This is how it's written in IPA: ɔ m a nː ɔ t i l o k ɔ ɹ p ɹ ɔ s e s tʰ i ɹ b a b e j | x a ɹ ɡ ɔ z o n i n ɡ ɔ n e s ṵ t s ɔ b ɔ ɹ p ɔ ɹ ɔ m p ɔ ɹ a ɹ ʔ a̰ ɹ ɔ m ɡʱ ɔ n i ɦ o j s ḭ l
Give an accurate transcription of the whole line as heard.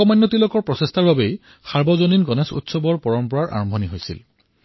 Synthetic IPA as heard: ɔ m a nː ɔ t i l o k ɔ ɹ p ɹ ɔ s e s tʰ a ɹ b a b e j | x a ɹ b ɔ z o n i n ɡ ɔ n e s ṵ t s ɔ b ɔ ɹ p ɔ ɹ ɔ m p ɔ ɹ a ɹ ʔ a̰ ɹ ɔ m bʱ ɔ n i ɦ o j s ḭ l